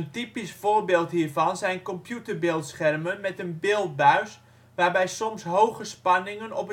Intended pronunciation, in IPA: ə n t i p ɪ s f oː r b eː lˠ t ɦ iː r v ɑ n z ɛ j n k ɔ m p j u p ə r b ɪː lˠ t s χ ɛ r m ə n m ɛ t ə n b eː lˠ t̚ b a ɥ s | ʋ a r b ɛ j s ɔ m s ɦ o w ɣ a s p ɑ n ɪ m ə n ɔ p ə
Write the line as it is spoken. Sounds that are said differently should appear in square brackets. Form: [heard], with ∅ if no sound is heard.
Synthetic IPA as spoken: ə n t i p [i] s f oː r b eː lˠ t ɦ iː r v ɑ n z ɛ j n k ɔ m p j u [t] ə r b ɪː lˠ t s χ ɛ r m ə n m ɛ t ə n b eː lˠ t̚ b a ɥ s | ʋ a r b ɛ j s ɔ m s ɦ o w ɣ [ə] s p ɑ n ɪ [ŋ] ə n ɔ p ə